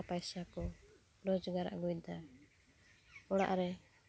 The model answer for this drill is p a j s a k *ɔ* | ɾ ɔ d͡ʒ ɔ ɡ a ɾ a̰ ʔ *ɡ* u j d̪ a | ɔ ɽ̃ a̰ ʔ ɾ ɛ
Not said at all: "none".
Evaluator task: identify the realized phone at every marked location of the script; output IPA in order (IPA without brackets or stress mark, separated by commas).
ɔ, ɡ